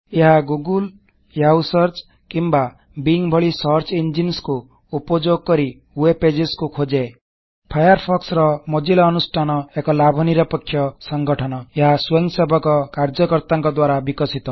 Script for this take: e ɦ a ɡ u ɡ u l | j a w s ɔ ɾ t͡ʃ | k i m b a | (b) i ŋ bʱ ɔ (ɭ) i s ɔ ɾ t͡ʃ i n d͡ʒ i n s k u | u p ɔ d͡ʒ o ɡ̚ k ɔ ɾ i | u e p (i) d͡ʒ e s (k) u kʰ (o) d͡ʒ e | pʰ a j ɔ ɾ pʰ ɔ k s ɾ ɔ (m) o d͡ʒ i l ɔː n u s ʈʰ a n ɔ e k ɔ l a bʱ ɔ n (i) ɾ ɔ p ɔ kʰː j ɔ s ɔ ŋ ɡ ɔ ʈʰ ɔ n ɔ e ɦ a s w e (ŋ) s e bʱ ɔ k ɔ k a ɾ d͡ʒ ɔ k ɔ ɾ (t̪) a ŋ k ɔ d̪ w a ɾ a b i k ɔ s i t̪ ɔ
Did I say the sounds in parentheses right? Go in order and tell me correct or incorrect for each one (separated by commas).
correct, correct, incorrect, correct, correct, correct, correct, correct, correct